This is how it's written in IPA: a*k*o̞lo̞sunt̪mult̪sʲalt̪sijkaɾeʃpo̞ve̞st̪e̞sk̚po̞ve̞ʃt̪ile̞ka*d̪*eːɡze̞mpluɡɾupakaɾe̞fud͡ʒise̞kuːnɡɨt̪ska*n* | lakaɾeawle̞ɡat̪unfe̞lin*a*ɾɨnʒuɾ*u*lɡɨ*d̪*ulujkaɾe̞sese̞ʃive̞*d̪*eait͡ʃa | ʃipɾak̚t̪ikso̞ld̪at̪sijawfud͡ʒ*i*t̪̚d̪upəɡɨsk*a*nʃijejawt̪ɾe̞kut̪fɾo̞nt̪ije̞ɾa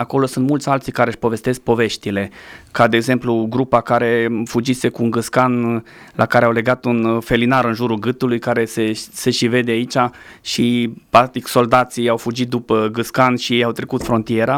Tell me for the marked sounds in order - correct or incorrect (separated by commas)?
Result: correct, correct, correct, correct, correct, incorrect, correct, correct, correct